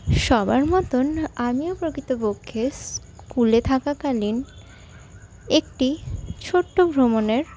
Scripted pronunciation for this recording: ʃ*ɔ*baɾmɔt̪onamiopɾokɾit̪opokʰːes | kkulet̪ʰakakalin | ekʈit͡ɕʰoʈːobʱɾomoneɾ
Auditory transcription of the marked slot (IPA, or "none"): ɔ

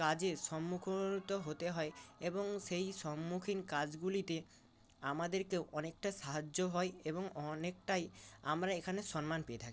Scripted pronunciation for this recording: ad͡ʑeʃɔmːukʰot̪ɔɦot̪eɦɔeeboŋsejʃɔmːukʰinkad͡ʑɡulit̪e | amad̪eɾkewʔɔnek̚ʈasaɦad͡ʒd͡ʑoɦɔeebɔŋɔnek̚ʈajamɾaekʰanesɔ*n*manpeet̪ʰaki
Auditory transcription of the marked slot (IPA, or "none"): n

